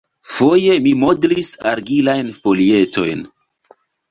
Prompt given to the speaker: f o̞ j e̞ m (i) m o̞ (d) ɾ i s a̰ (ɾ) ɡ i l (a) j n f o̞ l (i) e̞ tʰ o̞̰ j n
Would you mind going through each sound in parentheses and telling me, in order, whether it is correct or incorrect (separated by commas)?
correct, correct, correct, correct, correct